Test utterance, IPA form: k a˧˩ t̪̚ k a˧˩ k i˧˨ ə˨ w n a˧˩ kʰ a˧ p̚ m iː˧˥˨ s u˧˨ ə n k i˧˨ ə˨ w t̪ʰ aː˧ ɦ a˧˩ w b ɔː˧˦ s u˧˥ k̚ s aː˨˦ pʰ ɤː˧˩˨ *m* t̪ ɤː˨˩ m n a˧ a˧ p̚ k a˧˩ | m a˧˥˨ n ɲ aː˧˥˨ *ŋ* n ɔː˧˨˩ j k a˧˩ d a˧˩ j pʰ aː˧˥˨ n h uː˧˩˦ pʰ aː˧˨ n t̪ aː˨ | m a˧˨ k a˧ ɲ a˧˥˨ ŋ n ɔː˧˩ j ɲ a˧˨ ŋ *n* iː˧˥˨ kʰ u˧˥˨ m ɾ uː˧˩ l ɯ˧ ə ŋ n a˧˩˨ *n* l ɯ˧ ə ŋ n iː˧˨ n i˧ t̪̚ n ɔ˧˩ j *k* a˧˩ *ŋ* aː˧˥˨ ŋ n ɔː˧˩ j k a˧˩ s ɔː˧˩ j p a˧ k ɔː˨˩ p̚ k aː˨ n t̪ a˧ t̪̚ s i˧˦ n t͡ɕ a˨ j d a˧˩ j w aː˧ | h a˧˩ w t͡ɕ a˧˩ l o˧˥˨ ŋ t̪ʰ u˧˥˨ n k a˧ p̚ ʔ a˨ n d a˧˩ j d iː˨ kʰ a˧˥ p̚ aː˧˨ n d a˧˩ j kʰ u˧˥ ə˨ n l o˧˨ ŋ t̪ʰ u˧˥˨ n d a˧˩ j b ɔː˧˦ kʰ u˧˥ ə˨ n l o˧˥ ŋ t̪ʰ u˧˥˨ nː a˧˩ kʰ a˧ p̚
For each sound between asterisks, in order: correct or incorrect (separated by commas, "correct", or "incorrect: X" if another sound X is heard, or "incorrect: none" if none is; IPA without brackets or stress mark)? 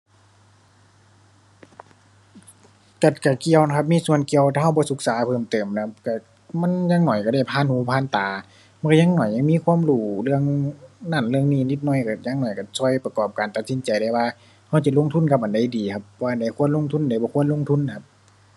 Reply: correct, correct, incorrect: m, correct, correct, incorrect: ɲ